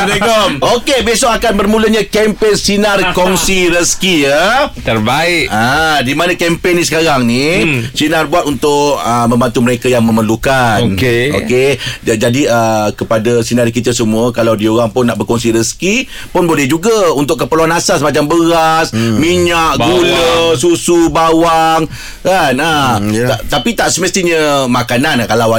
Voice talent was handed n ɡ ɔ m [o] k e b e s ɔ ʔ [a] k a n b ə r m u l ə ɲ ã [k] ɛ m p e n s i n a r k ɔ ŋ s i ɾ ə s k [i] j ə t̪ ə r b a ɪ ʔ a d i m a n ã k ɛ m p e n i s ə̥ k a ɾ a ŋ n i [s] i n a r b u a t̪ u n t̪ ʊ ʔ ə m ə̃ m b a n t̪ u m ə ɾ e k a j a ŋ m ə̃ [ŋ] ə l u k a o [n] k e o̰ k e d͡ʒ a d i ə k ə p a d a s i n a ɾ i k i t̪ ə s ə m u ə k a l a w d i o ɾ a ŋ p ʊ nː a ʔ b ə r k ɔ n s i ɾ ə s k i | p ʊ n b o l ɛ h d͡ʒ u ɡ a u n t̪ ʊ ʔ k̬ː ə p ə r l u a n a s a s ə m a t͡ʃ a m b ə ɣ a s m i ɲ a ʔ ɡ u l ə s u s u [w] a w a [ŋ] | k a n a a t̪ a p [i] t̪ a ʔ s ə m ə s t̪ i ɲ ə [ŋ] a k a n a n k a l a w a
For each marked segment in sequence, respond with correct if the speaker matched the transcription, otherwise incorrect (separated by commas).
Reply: correct, correct, correct, correct, correct, incorrect, correct, incorrect, correct, correct, incorrect